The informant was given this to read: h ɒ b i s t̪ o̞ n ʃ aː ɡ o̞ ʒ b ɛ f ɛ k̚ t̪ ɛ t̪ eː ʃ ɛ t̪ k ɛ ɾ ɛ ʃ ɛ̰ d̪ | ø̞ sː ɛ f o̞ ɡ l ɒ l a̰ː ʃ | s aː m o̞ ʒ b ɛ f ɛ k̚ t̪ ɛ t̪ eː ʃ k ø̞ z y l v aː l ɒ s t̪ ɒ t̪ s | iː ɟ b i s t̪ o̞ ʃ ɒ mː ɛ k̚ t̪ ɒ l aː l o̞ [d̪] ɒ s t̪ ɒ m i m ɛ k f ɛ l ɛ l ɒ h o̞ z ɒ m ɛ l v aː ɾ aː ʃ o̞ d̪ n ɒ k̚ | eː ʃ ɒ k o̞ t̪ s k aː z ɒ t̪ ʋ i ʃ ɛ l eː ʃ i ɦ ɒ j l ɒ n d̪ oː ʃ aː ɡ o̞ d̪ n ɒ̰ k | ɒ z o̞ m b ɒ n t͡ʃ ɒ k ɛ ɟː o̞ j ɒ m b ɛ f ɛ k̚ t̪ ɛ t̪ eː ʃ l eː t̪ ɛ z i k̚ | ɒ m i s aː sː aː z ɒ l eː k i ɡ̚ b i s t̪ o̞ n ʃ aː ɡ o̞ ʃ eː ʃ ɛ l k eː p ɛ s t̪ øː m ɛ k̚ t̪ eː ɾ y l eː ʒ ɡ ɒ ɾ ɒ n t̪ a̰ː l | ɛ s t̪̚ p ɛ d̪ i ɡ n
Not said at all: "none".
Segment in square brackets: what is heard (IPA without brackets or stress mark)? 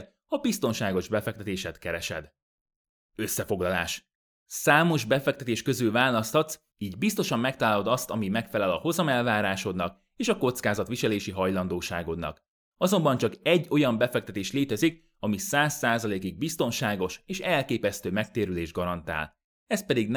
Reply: d̪